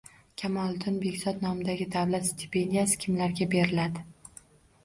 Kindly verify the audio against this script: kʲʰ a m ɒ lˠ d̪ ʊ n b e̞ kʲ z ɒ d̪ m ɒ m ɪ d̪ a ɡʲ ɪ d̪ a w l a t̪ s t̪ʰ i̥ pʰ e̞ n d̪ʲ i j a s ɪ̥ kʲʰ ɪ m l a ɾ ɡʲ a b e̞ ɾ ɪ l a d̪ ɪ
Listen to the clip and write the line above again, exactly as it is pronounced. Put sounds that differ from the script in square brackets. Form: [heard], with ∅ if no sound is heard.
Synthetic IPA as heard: kʲʰ a m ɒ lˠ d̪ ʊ n b e̞ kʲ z ɒ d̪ [n] ɒ m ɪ d̪ a ɡʲ ɪ d̪ a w l a t̪ s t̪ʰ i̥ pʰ e̞ n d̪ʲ i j a s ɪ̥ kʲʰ ɪ m l a ɾ ɡʲ a b e̞ ɾ ɪ l a d̪ ɪ

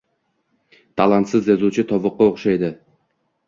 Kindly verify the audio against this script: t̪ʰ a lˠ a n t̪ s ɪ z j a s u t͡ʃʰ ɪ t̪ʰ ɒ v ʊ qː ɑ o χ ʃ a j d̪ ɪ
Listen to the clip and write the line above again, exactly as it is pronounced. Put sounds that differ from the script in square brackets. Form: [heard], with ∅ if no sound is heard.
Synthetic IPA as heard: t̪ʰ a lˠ a n t̪ s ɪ z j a [z] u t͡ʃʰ ɪ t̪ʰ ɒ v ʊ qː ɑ o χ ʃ a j d̪ ɪ

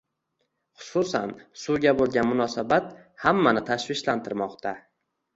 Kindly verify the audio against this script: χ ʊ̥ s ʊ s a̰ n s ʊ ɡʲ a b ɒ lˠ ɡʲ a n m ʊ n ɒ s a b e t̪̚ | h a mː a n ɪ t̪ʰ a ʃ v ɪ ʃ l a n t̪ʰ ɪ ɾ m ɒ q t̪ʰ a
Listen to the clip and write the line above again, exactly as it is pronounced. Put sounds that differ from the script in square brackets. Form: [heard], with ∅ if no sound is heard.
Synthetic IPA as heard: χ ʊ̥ s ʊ s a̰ n s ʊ ɡʲ a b [o] lˠ ɡʲ a n m ʊ n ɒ s a b [a] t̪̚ | h a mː a n ɪ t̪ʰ a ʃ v ɪ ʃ l a n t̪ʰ ɪ ɾ m ɒ q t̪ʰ a

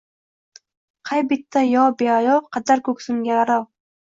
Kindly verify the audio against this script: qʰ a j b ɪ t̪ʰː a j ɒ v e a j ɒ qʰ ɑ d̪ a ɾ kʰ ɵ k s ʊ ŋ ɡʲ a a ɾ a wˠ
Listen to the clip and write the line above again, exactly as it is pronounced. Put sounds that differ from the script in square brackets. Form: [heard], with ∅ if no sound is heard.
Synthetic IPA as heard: qʰ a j b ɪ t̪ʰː a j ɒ [b] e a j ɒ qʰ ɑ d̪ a ɾ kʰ ɵ k s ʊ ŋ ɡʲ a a ɾ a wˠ

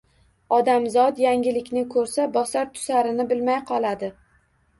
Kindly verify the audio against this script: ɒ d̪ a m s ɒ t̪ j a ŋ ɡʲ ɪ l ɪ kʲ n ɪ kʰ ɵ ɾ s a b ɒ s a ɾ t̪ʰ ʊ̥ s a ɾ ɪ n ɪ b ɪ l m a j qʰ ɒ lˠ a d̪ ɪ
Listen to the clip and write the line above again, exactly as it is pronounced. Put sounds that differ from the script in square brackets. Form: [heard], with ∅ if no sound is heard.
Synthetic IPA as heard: ɒ d̪ a m [z] ɒ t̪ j a ŋ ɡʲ ɪ l ɪ kʲ n ɪ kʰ ɵ ɾ s a b ɒ s a ɾ t̪ʰ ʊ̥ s a ɾ ɪ n ɪ b ɪ l m a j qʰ ɒ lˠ a d̪ ɪ

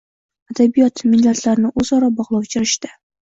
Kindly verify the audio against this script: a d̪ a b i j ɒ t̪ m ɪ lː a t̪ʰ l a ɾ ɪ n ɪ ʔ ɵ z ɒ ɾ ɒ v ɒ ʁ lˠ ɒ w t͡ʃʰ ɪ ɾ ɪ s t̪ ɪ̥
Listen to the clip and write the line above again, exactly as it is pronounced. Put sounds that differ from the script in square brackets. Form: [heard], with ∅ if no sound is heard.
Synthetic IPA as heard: a d̪ a b i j ɒ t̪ m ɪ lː a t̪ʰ l a ɾ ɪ n ɪ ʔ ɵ z ɒ ɾ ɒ [b] ɒ ʁ lˠ ɒ w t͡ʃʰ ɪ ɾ ɪ [ʃ] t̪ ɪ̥

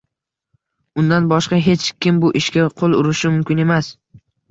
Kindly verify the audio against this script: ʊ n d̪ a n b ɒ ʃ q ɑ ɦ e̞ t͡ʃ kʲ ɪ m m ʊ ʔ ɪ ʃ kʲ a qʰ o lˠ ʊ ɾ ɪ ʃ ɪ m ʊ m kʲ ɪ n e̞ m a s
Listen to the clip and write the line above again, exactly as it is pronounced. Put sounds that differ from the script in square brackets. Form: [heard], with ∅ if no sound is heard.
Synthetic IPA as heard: ʊ n d̪ a n b ɒ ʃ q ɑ ɦ e̞ t͡ʃ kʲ ɪ m [b] ʊ ʔ ɪ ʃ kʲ a qʰ o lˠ ʊ ɾ ɪ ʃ ɪ m ʊ m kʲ ɪ n e̞ m a s

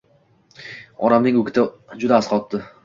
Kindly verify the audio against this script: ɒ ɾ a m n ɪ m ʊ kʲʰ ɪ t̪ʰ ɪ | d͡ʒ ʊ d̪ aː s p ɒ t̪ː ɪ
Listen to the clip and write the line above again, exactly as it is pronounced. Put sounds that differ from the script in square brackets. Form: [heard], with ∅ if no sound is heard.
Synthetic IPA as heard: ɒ ɾ a m n ɪ [ŋ] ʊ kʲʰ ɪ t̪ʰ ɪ | d͡ʒ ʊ d̪ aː s [q] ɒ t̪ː ɪ

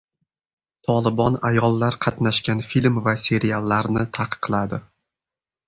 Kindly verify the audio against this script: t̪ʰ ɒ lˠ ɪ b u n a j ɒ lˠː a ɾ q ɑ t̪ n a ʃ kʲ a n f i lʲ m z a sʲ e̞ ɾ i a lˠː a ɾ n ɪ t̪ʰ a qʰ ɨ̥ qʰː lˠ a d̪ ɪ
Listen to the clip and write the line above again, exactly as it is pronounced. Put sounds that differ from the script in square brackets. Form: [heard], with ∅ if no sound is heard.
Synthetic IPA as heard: t̪ʰ ɒ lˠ ɪ b [ɒ] n a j ɒ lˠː a ɾ [qʰ] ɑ t̪ n a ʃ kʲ a n f i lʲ m [v] a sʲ e̞ ɾ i a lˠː a ɾ n ɪ t̪ʰ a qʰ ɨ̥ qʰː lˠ a d̪ ɪ

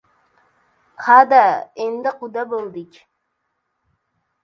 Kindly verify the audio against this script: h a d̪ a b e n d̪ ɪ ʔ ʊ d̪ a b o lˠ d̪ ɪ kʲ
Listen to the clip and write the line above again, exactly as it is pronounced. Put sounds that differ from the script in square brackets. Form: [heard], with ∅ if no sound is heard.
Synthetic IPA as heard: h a d̪ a [∅] e n d̪ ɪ [q] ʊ d̪ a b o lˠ d̪ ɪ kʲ

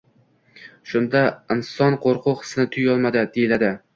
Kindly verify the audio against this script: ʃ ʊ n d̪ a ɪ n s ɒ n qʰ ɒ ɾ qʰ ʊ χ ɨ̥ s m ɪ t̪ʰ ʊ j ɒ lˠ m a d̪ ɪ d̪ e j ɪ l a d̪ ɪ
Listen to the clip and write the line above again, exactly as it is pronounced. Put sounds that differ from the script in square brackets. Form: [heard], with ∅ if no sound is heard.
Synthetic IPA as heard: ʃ ʊ n d̪ a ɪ n s ɒ n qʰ [o] ɾ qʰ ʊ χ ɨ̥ s [n] ɪ t̪ʰ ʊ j ɒ lˠ m a d̪ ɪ d̪ e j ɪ l a d̪ ɪ

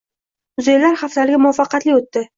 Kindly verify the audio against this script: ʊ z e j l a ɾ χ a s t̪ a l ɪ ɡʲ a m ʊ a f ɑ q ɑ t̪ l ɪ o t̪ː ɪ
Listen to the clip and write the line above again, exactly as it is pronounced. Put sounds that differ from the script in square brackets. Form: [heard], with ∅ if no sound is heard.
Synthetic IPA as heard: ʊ z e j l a ɾ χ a [f] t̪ a l ɪ ɡʲ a m ʊ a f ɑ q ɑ t̪ l ɪ o t̪ː ɪ

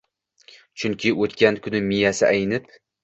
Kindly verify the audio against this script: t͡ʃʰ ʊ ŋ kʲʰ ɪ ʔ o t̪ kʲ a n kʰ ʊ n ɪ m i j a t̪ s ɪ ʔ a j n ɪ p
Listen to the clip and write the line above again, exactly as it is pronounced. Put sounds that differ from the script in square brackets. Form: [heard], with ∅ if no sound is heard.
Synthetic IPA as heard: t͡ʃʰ ʊ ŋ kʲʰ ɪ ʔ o t̪ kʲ a n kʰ ʊ n ɪ m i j a [∅] s ɪ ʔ a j n ɪ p

